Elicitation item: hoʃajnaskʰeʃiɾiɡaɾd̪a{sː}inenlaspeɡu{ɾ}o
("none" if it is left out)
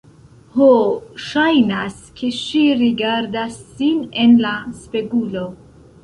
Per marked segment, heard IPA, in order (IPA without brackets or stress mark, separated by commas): sː, l